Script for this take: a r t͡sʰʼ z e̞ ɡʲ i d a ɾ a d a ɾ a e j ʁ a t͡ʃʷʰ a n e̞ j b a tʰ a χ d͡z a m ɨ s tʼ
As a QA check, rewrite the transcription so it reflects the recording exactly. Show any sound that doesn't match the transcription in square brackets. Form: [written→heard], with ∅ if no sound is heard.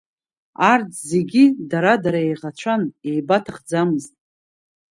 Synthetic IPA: a r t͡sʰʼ z e̞ ɡʲ i d a ɾ a d a ɾ a e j ʁ a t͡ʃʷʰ a n e̞ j b a tʰ a χ d͡z a m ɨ [s→z] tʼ